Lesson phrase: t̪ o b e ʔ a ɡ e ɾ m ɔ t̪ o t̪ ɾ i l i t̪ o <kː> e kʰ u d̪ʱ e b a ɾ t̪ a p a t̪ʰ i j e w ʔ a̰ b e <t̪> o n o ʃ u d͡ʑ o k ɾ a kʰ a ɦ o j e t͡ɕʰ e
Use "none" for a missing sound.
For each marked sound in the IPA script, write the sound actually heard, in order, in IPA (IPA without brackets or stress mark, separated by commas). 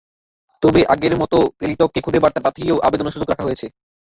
kː, d̪